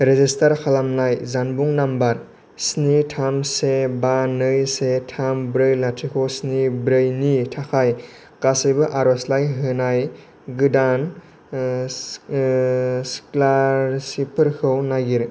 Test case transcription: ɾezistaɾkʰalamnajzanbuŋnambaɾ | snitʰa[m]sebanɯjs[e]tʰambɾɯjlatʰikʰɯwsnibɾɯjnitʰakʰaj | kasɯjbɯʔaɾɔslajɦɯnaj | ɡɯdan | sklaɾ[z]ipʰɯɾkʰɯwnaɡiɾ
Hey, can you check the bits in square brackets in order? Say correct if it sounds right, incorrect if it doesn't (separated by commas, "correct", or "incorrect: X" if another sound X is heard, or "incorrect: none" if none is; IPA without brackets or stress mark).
correct, correct, incorrect: s